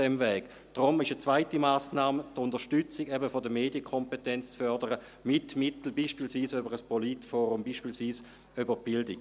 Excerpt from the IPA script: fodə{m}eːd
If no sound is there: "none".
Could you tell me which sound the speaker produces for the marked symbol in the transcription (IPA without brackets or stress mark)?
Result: m